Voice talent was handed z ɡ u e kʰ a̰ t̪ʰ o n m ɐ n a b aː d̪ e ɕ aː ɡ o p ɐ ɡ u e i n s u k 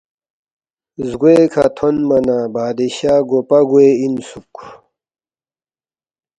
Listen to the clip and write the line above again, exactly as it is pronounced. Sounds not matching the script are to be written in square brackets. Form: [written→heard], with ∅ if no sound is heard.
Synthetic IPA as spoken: z ɡ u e kʰ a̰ t̪ʰ o n m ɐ n a b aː d̪ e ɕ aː ɡ o p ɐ ɡ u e i n s u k